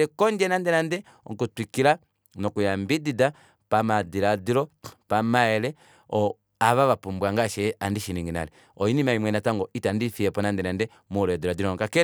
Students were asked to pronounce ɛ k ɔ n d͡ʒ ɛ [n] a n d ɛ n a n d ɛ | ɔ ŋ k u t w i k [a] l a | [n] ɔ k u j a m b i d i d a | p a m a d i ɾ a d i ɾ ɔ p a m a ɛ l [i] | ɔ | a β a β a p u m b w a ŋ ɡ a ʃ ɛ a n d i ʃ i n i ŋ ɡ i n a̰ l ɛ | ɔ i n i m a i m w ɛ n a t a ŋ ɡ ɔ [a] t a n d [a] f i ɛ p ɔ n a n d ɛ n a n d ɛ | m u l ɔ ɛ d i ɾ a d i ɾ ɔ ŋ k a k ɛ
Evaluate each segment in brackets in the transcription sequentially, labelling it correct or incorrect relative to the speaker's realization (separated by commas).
correct, incorrect, correct, incorrect, incorrect, incorrect